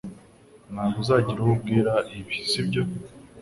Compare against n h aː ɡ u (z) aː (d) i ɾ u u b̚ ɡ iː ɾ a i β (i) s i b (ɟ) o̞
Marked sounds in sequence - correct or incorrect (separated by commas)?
correct, incorrect, correct, correct